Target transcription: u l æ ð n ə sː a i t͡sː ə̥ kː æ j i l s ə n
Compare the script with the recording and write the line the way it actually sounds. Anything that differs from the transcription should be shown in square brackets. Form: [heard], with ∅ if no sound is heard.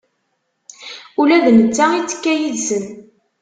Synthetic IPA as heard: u l æ ð n ə [t͡sː] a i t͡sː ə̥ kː æ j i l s ə n